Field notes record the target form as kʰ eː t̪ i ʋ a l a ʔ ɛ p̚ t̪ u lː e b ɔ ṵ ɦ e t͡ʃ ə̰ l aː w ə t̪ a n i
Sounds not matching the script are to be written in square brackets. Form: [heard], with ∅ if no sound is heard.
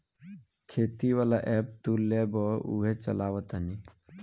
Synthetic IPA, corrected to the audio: kʰ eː t̪ i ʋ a l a ʔ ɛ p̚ t̪ u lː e b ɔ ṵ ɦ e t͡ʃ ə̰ l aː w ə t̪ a n i